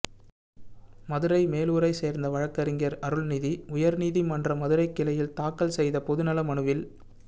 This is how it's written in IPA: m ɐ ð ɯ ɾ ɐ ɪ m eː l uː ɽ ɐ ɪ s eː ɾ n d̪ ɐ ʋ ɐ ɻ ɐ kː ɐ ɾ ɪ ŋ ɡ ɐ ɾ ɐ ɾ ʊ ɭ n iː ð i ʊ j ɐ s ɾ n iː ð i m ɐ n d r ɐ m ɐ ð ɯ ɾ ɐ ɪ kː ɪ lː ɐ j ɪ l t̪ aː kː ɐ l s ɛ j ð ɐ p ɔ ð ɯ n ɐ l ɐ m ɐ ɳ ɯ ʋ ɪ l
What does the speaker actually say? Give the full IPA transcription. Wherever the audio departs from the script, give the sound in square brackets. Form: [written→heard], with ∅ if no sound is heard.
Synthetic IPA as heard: m ɐ ð ɯ ɾ ɐ ɪ m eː l uː [ɽ→ɾ] ɐ ɪ s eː ɾ n d̪ ɐ ʋ ɐ ɻ ɐ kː ɐ ɾ ɪ ŋ ɡ ɐ ɾ ɐ ɾ [ʊ→ɯ] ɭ n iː ð i ʊ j ɐ [s→∅] ɾ n iː ð i m ɐ n d r ɐ m ɐ ð ɯ ɾ ɐ ɪ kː ɪ [lː→l] ɐ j ɪ l t̪ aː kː ɐ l s ɛ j ð ɐ p ɔ ð ɯ n ɐ l ɐ m ɐ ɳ ɯ ʋ ɪ l